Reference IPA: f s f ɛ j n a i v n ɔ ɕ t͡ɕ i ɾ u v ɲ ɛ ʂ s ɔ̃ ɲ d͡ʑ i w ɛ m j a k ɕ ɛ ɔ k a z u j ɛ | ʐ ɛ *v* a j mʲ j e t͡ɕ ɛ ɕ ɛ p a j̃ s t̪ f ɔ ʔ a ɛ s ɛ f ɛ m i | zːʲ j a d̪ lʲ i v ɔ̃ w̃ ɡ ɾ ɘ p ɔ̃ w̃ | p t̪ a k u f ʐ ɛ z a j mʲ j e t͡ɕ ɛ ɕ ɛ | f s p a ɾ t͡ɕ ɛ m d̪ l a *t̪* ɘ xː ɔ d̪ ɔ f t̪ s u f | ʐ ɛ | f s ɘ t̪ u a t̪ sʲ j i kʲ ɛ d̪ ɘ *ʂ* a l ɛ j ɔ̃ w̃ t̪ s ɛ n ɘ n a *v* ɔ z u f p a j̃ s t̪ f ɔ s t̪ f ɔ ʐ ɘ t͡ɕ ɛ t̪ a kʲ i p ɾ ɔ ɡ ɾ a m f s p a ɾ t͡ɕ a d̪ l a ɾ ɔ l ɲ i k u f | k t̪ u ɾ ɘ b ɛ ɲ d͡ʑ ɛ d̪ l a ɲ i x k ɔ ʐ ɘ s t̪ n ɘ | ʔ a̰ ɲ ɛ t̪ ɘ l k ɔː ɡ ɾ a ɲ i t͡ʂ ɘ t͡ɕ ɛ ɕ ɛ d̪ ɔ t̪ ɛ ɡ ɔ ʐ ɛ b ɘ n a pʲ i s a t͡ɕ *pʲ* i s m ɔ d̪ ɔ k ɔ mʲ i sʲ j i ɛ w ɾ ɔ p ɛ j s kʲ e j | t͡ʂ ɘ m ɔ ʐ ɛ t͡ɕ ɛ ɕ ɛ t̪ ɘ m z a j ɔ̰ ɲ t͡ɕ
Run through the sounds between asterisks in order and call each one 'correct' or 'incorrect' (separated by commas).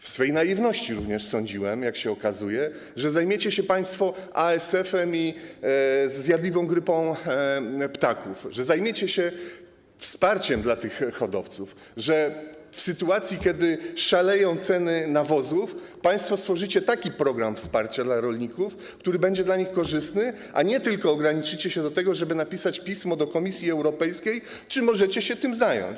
incorrect, correct, correct, correct, correct